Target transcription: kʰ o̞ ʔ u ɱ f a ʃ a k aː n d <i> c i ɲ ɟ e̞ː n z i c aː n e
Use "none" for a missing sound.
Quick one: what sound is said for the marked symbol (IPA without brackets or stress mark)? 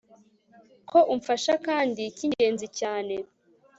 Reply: i